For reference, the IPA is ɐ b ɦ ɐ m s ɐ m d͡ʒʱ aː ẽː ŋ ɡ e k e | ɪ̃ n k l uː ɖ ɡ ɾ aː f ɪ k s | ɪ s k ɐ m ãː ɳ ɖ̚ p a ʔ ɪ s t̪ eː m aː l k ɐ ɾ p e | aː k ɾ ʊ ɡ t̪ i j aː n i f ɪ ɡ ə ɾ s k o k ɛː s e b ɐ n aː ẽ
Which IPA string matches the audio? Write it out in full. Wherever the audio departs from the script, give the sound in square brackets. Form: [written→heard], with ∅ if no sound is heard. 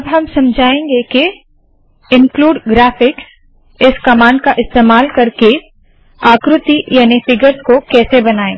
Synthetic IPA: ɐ b ɦ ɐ m s ɐ m d͡ʒʱ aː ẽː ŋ ɡ e k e | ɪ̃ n k l uː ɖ ɡ ɾ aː f ɪ k s | ɪ s k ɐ m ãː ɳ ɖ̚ [p→k] a ʔ ɪ s t̪ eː m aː l k ɐ ɾ [p→k] e | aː k ɾ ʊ [ɡ→∅] t̪ i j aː n i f ɪ ɡ ə ɾ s k o k ɛː s e b ɐ n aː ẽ